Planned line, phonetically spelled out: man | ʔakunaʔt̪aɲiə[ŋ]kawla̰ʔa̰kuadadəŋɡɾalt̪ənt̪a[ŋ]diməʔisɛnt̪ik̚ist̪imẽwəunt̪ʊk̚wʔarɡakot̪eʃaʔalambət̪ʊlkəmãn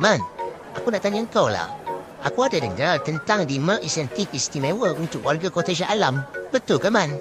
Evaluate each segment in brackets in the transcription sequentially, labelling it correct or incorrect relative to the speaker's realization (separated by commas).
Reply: correct, correct